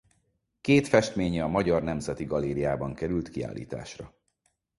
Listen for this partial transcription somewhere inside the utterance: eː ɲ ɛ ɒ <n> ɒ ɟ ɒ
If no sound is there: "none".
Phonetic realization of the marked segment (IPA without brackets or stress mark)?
m